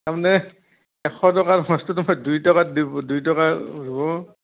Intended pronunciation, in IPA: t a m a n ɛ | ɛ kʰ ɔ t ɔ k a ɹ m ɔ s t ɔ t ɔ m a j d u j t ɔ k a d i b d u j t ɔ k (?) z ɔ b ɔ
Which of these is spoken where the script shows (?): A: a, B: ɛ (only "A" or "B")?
A